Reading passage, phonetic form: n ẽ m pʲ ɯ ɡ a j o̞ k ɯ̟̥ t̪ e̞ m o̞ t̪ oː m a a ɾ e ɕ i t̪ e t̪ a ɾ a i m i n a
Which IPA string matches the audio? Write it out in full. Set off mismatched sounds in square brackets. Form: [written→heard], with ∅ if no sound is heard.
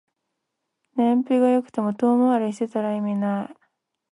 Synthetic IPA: n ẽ m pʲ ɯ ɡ a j o̞ k ɯ̟̥ t̪ e̞ m o̞ t̪ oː m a a ɾ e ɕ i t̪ e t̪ a ɾ a i m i n a